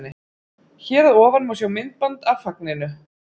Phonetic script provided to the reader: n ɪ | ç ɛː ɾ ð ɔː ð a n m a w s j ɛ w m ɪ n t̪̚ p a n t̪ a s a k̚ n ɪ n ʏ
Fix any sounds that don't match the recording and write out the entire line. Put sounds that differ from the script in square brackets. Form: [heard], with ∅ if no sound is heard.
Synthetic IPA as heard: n ɪ | ç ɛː ɾ ð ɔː [v] a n m a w s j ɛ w m ɪ n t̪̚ p a n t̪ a [f] a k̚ n ɪ n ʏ